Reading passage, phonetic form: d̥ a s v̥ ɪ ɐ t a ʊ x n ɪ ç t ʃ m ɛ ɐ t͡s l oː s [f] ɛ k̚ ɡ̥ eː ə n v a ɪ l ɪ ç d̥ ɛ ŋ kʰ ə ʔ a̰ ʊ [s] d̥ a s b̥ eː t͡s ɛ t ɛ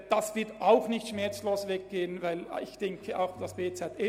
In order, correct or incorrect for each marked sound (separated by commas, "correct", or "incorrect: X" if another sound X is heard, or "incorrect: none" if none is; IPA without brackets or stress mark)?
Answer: incorrect: v, incorrect: x